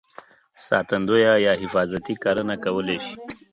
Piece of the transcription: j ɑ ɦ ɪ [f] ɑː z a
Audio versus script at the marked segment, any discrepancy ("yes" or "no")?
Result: no